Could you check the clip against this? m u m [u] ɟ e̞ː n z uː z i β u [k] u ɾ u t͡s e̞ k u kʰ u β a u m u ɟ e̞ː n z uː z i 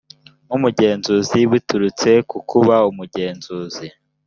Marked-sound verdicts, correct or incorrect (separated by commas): correct, incorrect